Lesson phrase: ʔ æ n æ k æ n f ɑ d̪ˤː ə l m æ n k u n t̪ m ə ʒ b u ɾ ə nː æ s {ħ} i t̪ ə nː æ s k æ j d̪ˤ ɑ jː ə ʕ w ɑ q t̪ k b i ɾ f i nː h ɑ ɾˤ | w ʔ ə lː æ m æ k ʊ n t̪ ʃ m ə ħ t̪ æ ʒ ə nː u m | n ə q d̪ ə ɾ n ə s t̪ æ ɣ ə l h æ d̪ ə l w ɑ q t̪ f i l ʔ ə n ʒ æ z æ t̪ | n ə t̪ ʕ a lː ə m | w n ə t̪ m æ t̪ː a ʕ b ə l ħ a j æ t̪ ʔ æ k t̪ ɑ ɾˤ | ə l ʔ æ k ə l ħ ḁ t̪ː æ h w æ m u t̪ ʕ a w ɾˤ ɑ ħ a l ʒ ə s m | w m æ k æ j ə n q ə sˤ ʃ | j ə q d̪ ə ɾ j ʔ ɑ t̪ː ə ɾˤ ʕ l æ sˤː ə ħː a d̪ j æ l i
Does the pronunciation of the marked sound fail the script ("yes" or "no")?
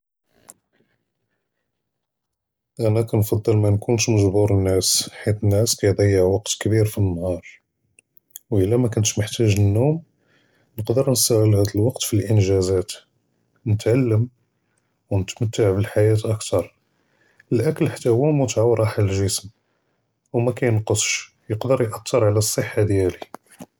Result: no